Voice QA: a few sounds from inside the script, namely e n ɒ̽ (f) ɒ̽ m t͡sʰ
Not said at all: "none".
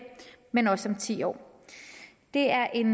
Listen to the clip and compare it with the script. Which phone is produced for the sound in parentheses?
s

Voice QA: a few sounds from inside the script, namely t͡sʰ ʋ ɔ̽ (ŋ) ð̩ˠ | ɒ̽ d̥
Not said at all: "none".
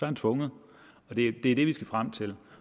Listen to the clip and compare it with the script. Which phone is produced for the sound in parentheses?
ŋ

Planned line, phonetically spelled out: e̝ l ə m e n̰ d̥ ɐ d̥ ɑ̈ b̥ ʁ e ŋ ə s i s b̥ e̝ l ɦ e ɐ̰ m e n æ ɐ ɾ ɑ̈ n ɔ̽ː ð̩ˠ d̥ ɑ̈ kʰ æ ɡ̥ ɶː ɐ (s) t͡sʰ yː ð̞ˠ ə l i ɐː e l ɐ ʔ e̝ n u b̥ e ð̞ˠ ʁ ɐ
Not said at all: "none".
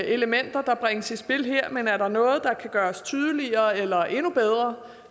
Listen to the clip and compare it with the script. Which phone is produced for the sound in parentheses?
s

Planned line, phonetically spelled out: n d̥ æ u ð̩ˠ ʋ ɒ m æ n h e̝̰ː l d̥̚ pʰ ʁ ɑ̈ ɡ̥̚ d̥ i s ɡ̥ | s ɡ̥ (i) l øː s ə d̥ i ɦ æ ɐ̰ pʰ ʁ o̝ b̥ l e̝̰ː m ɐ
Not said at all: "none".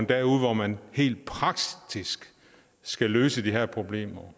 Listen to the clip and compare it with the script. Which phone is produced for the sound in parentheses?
æ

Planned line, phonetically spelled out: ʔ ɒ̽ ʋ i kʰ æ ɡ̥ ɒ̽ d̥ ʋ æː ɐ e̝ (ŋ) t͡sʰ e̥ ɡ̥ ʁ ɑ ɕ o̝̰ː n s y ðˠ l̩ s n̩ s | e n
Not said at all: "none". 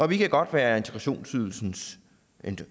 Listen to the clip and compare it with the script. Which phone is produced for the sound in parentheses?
n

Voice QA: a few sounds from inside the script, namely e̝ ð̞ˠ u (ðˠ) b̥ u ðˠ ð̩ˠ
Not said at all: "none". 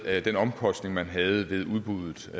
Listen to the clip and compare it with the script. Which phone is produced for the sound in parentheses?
ðˠ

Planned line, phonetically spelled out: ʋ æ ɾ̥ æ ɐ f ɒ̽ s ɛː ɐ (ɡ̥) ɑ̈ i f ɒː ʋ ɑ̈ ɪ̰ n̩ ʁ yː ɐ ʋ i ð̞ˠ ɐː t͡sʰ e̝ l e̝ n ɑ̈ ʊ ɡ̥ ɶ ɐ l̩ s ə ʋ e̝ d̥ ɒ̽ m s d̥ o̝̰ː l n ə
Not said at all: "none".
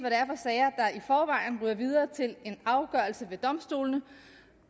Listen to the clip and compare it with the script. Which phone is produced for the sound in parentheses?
d̥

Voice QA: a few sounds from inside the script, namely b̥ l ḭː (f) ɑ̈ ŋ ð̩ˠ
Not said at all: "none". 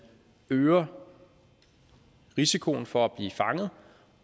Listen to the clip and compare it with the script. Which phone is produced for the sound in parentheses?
f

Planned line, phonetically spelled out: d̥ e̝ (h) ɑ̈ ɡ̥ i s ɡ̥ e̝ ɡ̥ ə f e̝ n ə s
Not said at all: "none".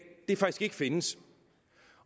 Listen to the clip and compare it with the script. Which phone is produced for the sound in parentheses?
f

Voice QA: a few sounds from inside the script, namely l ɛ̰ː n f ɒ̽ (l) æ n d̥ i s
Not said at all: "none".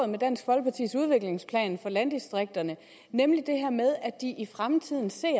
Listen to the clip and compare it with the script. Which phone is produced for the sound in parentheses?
l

